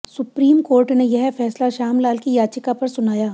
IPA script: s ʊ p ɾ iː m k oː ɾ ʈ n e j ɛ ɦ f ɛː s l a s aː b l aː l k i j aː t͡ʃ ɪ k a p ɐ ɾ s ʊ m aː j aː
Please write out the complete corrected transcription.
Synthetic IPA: s ʊ p ɾ iː m k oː ɾ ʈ n e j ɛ ɦ f ɛː s l a ʃ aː m l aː l k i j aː t͡ʃ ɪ k a p ɐ ɾ s ʊ n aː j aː

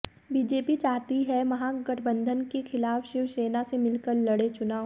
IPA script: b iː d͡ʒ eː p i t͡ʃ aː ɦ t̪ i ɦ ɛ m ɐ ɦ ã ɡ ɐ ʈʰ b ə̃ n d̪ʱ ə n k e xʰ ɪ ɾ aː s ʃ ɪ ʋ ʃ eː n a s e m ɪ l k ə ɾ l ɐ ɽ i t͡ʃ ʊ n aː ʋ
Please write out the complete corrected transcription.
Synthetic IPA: b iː d͡ʒ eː p i t͡ʃ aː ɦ t̪ i ɦ ɛ m ɐ ɦ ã ɡ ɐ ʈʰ b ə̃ n d̪ʱ ə n k e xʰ ɪ l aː f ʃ ɪ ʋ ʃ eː n a s e m ɪ l k ə ɾ l ɐ ɽ e t͡ʃ ʊ n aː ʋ

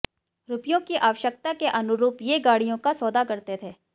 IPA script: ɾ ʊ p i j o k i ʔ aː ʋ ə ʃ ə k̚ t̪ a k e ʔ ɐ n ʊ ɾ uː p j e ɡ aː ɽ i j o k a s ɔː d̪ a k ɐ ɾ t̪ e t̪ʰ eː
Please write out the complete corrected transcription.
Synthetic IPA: ɾ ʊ p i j õ k i ʔ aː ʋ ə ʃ ə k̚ t̪ a k e ʔ ɐ n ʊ ɾ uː p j e ɡ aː ɽ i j õ k a s ɔː d̪ a k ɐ ɾ t̪ e t̪ʰ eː

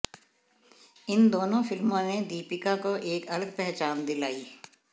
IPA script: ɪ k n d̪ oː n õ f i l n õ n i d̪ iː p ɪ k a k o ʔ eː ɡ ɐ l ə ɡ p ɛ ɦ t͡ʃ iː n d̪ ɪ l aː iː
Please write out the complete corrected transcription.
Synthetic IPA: ɪ n d̪ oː n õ f ɪ l m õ n e d̪ iː p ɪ k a k o ʔ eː k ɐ l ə ɡ p ɛ ɦ t͡ʃ aː n d̪ ɪ l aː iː

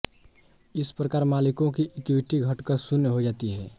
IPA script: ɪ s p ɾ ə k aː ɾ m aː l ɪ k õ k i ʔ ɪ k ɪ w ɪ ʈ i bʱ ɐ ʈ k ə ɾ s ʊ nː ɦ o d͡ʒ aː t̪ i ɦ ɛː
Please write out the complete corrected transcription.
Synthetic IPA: ɪ s p ɾ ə k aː ɾ m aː l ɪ k õ k i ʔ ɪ k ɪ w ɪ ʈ i ɡʱ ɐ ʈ k ə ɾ s ʊ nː ɦ o d͡ʒ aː t̪ i ɦ ɛː

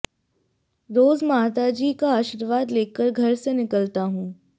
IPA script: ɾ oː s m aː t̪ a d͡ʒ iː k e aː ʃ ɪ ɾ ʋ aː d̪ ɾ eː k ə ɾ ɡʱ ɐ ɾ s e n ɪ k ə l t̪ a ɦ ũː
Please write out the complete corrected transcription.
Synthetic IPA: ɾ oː z m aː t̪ a d͡ʒ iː k a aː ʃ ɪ ɾ ʋ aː d̪ l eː k ə ɾ ɡʱ ɐ ɾ s e n ɪ k ə l t̪ a ɦ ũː

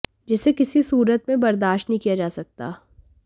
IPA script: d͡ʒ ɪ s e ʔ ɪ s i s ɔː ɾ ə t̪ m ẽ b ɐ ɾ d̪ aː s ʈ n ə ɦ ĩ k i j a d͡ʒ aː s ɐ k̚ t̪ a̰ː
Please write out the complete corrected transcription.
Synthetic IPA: d͡ʒ ɪ s e k ɪ s i s uː ɾ ə t̪ m ẽ b ɐ ɾ d̪ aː ʃ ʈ n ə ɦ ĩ k i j a d͡ʒ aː s ɐ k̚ t̪ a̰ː

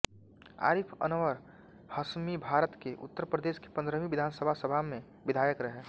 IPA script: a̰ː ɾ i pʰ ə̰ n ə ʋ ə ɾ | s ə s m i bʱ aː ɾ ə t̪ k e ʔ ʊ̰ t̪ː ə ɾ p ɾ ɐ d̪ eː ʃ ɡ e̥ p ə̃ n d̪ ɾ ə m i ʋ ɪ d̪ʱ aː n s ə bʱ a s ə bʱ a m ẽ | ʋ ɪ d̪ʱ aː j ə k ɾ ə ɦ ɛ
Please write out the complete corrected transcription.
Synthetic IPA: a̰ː ɾ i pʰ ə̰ n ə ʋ ə ɾ | h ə s m i bʱ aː ɾ ə t̪ k e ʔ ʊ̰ t̪ː ə ɾ p ɾ ə d̪ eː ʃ k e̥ p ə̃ n d̪ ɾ ə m i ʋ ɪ d̪ʱ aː n s ə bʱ a s ə bʱ a m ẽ | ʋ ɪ d̪ʱ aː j ə k ɾ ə ɦ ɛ

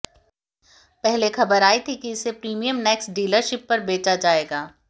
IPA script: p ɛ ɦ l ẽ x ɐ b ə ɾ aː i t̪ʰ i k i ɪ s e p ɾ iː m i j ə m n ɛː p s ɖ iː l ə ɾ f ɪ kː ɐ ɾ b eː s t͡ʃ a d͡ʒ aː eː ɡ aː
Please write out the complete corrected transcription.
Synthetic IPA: p ɛ ɦ l e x ɐ b ə ɾ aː i t̪ʰ i k i ɪ s e p ɾ iː m i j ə m n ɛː k s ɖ iː l ə ɾ ʃ ɪ pː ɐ ɾ b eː t͡ʃ a d͡ʒ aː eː ɡ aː

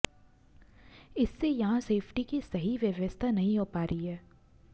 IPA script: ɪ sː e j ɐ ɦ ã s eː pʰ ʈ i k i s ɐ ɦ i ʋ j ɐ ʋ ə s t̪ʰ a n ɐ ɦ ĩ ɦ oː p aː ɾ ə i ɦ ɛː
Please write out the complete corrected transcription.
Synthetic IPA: ɪ sː e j ɐ ɦ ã s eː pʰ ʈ i k i s ɐ ɦ i ʋ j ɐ ʋ ə s t̪ʰ a n ɐ ɦ ĩ ɦ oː p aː ɾ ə i ɦ ɛː

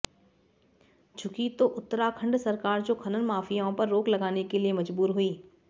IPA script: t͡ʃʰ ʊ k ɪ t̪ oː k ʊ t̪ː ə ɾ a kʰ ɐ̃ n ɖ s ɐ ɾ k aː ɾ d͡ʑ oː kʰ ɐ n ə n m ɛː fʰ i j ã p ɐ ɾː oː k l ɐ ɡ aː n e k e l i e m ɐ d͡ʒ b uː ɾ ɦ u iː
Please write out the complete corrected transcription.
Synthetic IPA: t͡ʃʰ ʊ k i t̪ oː ʔ ʊ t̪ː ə ɾ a kʰ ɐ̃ ɳ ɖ s ɐ ɾ k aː ɾ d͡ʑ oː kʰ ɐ n ə n m aː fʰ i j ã p ɐ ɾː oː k l ɐ ɡ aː n e k e l i e m ɐ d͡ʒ b uː ɾ ɦ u iː

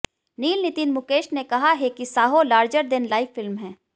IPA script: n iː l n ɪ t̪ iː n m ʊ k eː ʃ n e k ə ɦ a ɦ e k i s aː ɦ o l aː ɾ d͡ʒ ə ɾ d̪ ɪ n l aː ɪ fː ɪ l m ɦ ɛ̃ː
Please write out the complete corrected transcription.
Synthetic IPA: n iː l n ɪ t̪ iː n m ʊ k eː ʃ n e k ɐ ɦ a ɦ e k i s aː ɦ o l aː ɾ d͡ʒ ə ɾ d̪ ɪ n l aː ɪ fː ɪ l m ɦ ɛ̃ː

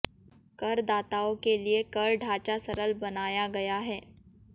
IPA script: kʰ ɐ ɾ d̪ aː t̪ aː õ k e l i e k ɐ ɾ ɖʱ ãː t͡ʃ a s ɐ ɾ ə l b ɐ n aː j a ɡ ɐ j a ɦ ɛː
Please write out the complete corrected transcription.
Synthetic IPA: k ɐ ɾ d̪ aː t̪ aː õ k e l i e k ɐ ɾ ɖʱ aː t͡ʃ a s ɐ ɾ ə l b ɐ n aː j a ɡ ɐ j a ɦ ɛː

